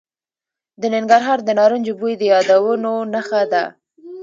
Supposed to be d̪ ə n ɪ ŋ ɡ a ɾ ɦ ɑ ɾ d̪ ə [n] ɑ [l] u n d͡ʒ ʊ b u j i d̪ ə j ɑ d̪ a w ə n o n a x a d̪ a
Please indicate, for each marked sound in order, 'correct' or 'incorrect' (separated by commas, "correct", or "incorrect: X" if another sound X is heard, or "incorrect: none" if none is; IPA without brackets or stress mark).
correct, incorrect: ɾ